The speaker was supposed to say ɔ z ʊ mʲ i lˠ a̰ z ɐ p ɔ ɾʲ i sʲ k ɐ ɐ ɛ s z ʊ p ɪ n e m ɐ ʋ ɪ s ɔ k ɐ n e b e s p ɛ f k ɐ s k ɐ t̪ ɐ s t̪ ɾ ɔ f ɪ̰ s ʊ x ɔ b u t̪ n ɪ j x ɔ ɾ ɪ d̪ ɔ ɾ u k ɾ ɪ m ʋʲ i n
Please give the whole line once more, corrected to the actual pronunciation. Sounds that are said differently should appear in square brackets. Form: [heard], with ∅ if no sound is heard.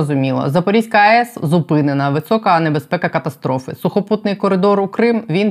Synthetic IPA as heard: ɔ z ʊ mʲ i lˠ [ɐ̰] z ɐ p ɔ ɾʲ i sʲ k ɐ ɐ ɛ s z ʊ p ɪ n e [n] ɐ ʋ ɪ s ɔ k ɐ n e b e s p ɛ [∅] k ɐ [∅] k ɐ t̪ ɐ s t̪ ɾ ɔ f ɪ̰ s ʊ x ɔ [p] u t̪ n ɪ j [k] ɔ ɾ ɪ d̪ ɔ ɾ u k ɾ ɪ m ʋʲ i n